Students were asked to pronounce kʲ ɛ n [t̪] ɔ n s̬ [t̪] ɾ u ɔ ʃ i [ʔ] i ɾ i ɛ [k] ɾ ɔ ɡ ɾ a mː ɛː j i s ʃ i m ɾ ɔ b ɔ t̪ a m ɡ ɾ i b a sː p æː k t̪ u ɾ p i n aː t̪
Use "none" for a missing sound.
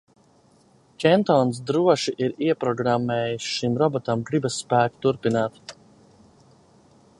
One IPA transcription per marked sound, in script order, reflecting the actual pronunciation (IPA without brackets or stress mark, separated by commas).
t̪, d̪, ʔ, p